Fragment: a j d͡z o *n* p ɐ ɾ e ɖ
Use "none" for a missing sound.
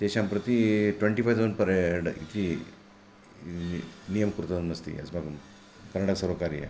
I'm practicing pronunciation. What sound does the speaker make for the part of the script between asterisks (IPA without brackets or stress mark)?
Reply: n